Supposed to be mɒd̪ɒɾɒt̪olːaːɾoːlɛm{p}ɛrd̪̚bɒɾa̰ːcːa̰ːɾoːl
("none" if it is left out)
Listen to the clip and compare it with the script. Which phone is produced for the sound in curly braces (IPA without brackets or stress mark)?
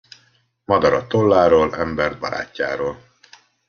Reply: b